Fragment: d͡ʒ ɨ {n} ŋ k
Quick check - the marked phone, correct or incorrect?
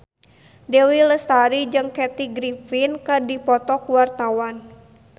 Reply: incorrect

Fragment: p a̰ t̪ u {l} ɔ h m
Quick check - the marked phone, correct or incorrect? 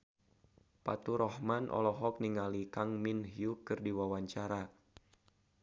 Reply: incorrect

